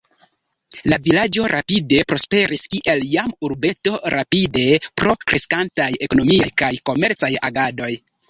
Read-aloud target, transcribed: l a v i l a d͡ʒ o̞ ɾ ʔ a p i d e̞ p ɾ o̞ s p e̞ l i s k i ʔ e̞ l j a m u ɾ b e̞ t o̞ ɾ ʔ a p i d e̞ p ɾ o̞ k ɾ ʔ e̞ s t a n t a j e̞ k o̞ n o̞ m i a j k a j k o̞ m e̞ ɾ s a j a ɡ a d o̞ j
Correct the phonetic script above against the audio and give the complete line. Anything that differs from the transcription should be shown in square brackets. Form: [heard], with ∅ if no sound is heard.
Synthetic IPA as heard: l a v i l a d͡ʒ o̞ ɾ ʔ a p i d e̞ p ɾ o̞ s p e̞ [ɾ] i s k i ʔ e̞ l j a m u ɾ b e̞ t o̞ ɾ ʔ a p i d e̞ p ɾ o̞ k ɾ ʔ e̞ s [k] a n t a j e̞ k o̞ n o̞ m i a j k a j k o̞ m e̞ ɾ [t͡s] a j a ɡ a d o̞ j